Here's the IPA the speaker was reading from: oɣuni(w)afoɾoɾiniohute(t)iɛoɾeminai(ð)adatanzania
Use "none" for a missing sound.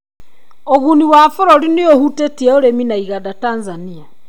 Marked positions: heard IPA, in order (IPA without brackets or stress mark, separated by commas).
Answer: w, t, ɣ